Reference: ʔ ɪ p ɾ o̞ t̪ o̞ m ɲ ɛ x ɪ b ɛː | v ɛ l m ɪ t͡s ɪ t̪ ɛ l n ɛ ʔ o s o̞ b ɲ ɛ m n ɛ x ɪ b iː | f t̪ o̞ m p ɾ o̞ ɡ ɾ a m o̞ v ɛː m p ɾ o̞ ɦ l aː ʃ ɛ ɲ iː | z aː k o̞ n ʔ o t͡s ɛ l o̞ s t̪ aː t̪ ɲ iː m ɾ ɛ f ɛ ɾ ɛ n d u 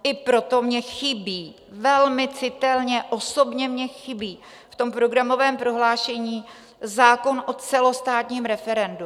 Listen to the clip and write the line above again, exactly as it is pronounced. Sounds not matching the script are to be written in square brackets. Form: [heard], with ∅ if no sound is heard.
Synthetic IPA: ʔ ɪ p ɾ o̞ t̪ o̞ m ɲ ɛ x ɪ b [iː] | v ɛ l m ɪ t͡s ɪ t̪ ɛ l [ɲ] ɛ ʔ o s o̞ b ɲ ɛ m [ɲ] ɛ x ɪ b iː | f t̪ o̞ m p ɾ o̞ ɡ ɾ a m o̞ v ɛː m p ɾ o̞ ɦ l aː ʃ ɛ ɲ iː | z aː k o̞ n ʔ o t͡s ɛ l o̞ s t̪ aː t̪ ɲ iː m ɾ ɛ f ɛ ɾ ɛ n d u